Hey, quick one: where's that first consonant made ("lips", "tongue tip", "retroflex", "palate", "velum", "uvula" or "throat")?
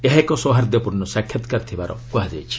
throat